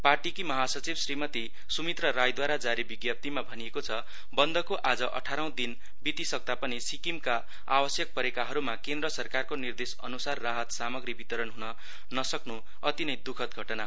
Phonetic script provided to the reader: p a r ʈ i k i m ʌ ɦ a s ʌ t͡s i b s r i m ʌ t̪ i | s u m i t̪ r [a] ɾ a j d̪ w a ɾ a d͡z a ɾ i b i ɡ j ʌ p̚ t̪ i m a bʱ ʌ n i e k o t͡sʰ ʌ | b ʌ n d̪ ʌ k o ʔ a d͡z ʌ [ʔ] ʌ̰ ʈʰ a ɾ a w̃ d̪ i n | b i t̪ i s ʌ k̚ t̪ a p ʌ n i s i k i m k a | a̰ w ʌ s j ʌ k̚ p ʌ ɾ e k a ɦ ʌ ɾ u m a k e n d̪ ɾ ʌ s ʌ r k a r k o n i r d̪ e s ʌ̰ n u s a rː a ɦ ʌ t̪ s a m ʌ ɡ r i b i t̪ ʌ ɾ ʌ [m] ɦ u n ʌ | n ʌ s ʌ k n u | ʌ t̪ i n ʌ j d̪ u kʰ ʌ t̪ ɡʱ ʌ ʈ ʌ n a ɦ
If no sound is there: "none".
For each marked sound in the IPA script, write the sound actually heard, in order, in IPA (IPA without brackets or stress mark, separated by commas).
ʌ, ʔ, n